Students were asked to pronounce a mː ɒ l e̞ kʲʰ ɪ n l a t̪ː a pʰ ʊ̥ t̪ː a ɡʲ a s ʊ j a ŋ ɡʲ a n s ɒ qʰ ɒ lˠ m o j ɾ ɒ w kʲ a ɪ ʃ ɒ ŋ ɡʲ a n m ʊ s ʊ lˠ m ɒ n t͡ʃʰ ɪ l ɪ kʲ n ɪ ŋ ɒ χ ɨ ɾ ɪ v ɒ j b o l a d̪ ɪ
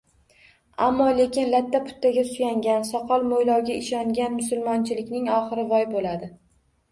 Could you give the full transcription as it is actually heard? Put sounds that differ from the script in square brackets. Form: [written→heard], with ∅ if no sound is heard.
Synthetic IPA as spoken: a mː ɒ l e̞ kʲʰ ɪ n l a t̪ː a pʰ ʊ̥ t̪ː a ɡʲ a s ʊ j a ŋ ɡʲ a n s ɒ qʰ ɒ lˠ m o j [ɾ→l] ɒ w [kʲ→ɡʲ] a ɪ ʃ ɒ ŋ ɡʲ a n m ʊ s ʊ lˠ m ɒ n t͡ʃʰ ɪ l ɪ kʲ n ɪ ŋ ɒ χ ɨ ɾ ɪ v ɒ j b o l a d̪ ɪ